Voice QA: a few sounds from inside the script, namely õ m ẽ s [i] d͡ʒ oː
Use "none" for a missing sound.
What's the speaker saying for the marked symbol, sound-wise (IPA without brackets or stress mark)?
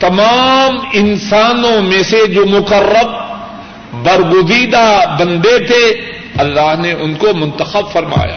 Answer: e